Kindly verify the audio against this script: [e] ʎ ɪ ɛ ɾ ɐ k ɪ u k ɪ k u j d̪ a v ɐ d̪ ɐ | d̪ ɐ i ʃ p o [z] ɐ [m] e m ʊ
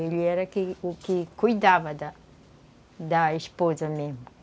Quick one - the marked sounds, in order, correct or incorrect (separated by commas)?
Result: correct, correct, correct